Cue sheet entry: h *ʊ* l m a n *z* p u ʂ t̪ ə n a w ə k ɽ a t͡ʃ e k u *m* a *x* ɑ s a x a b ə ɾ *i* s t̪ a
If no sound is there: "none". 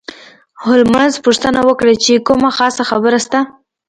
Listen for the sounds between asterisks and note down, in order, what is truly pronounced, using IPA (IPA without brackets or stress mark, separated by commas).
ʊ, z, m, x, a